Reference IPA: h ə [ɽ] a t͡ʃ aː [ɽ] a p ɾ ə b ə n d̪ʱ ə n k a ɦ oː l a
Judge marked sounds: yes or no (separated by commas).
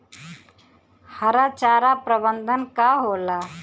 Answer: no, no